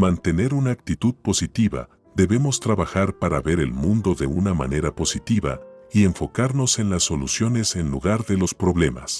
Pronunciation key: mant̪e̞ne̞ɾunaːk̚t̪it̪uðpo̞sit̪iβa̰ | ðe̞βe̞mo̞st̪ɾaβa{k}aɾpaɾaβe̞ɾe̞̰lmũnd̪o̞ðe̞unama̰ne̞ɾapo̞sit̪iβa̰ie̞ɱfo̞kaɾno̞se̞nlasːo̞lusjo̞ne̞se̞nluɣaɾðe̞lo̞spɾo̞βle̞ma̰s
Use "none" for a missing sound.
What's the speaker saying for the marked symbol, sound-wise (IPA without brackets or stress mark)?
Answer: x